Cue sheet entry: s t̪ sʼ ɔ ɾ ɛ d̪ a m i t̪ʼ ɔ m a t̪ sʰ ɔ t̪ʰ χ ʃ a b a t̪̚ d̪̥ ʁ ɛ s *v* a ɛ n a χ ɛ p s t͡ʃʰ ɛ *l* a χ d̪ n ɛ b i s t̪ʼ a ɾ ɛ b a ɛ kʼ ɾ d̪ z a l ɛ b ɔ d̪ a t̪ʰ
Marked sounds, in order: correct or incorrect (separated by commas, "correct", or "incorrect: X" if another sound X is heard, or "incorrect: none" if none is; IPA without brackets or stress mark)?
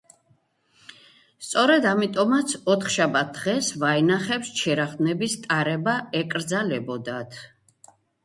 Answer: correct, incorrect: ɾ